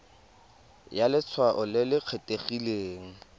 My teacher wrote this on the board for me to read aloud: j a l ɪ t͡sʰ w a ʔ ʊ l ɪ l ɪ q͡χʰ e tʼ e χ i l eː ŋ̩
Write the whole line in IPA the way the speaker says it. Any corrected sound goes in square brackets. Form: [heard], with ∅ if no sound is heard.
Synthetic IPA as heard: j a l ɪ t͡sʰ w a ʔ ʊ l ɪ l ɪ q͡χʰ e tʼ e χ i l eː ŋ̩

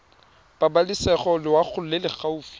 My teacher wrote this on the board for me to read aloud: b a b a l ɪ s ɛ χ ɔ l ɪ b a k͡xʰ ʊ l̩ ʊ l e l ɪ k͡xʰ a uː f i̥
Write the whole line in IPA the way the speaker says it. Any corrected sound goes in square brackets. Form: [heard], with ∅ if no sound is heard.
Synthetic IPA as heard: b a b a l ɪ s ɛ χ ɔ l ɪ [w] a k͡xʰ ʊ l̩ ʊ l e l ɪ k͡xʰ a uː f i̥

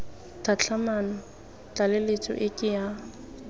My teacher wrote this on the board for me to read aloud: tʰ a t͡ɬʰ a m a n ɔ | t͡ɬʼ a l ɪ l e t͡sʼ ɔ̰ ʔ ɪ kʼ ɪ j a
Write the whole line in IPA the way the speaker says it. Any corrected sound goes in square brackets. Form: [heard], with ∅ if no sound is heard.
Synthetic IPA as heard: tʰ a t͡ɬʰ a m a n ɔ | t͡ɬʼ a l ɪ l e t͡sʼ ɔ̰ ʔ ɪ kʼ ɪ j a

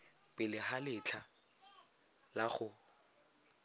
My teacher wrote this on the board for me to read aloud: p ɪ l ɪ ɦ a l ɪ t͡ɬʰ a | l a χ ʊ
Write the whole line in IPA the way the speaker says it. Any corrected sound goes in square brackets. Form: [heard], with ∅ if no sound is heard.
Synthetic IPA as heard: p ɪ l ɪ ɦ a l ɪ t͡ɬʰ a | l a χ ʊ

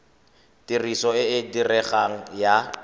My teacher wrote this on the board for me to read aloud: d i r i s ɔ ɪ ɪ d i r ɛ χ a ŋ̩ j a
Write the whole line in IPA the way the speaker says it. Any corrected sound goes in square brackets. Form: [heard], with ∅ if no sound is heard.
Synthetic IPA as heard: [t] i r i s ɔ ɪ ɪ d i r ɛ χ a ŋ̩ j a

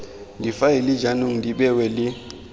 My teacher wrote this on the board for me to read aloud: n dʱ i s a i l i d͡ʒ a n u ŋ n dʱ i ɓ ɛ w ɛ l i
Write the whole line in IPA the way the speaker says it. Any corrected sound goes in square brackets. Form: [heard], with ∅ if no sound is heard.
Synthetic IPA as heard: n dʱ i [f] a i l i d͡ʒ a n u ŋ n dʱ i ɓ ɛ w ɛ l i

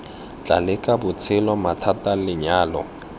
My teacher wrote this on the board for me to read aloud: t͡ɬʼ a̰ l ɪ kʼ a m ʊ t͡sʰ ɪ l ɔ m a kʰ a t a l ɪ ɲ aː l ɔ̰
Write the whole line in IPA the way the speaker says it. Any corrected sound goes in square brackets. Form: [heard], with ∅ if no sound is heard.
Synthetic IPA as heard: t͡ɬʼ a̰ l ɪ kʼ a [b] ʊ t͡sʰ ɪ l ɔ m a [tʰ] a t a l ɪ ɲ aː l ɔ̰

